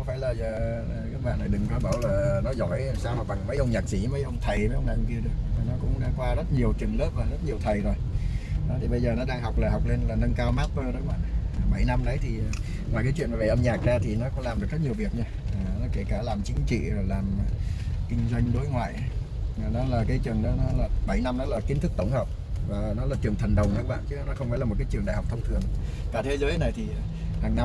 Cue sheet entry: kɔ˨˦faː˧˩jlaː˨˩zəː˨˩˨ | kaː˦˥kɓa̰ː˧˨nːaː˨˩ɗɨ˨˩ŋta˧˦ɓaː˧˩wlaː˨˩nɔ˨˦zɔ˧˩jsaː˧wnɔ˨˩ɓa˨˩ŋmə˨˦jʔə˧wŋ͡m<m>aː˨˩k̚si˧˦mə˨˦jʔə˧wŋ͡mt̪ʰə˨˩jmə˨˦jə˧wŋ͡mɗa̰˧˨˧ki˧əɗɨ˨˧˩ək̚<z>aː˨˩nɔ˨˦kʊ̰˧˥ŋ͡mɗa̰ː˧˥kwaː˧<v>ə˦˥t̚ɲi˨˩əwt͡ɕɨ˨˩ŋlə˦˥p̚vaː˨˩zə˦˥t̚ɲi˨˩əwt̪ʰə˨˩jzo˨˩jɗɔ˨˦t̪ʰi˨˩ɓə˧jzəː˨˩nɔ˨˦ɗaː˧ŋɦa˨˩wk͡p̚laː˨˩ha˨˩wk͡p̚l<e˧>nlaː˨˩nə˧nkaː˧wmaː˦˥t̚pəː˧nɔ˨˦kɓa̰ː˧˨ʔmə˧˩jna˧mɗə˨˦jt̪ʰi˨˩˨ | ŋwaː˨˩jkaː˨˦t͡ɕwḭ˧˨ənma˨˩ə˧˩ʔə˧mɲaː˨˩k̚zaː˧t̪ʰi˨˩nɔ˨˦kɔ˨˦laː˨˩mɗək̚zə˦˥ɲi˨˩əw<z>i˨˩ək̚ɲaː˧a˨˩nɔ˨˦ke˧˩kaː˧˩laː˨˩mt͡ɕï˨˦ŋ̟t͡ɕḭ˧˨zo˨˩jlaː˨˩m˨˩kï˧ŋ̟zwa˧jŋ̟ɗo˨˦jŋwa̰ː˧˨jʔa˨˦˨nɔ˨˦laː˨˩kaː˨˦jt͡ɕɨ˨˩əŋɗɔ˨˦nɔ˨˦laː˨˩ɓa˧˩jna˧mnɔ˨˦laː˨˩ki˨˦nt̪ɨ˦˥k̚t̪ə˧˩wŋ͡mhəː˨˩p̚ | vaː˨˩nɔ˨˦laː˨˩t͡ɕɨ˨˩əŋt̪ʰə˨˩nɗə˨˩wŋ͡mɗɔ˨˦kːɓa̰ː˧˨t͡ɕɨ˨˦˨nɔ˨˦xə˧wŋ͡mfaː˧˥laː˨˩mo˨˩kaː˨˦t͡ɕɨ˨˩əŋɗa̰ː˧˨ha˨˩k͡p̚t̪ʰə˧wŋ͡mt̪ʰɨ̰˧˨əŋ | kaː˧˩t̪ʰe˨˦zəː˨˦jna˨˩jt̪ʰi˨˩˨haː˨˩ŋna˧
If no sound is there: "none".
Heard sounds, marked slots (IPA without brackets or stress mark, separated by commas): ɲ, v, z, e˧, v